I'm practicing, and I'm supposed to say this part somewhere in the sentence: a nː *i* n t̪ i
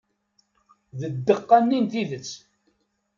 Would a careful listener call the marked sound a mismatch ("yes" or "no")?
no